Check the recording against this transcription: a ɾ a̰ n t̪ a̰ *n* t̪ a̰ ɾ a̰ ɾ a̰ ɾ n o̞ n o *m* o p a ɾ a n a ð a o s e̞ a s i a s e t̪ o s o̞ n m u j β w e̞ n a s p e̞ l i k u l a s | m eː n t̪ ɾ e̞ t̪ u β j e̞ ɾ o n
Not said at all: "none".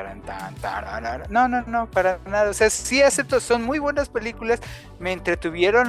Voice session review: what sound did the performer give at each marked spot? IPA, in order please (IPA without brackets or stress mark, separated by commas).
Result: n, n